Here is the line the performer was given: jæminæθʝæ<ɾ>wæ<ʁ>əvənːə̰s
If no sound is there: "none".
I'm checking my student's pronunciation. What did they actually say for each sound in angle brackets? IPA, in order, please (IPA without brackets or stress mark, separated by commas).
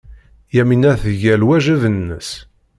l, ʒ